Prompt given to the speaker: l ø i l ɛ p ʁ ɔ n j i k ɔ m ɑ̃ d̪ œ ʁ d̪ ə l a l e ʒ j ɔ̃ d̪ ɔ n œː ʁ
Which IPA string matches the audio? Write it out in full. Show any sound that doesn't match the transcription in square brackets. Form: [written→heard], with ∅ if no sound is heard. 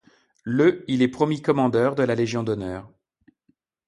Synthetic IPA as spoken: l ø i l ɛ p [ʁ→χ] ɔ [n→m] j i k ɔ m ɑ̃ d̪ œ ʁ d̪ ə l a l e ʒ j ɔ̃ d̪ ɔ n œː ʁ